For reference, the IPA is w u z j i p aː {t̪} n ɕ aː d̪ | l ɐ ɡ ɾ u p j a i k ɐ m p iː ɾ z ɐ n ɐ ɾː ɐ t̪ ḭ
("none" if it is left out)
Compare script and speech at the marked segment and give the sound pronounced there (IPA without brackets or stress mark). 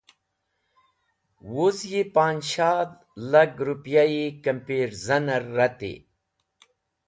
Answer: none